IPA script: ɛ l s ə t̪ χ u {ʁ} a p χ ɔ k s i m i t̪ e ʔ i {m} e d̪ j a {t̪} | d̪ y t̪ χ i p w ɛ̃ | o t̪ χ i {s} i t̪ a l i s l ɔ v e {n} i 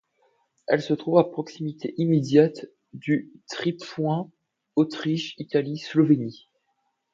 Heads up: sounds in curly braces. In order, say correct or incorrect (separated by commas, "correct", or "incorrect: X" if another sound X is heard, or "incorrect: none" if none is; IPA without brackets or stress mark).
incorrect: v, correct, correct, incorrect: ʃ, correct